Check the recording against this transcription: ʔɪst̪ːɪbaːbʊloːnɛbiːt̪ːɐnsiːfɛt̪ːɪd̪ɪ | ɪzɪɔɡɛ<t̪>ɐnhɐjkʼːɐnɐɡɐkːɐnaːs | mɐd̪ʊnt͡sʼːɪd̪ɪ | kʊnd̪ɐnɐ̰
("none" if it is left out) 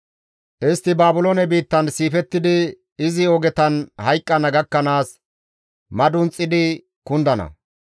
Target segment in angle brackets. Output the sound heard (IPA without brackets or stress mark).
t̪